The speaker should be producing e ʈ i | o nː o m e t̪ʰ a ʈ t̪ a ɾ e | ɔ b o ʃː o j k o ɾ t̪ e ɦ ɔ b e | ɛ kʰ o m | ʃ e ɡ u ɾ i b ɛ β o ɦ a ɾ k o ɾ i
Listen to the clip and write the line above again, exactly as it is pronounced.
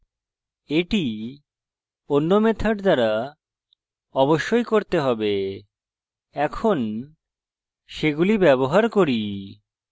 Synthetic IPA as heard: e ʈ i | o nː o m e t̪ʰ a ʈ d̪ a ɾ a | ɔ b o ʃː o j k o ɾ t̪ e ɦ ɔ b e | ɛ kʰ o n | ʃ e ɡ u l i b ɛ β o ɦ a ɾ k o ɾ i